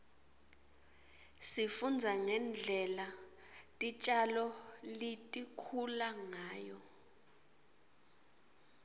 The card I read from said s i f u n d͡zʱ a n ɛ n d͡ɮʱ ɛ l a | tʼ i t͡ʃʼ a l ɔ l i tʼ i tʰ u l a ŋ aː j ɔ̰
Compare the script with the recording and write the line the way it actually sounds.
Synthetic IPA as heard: s i f u n d͡zʱ a ŋ ɛ n d͡ɮʱ ɛ l a | tʼ i t͡ʃʼ a l ɔ l i tʼ i kʰ u l a ŋ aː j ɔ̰